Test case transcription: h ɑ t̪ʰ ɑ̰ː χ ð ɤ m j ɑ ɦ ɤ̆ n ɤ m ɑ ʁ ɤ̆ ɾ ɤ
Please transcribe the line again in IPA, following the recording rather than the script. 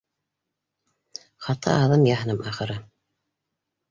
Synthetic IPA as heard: χ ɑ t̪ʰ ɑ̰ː ð ɤ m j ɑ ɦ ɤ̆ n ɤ m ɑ χ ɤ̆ ɾ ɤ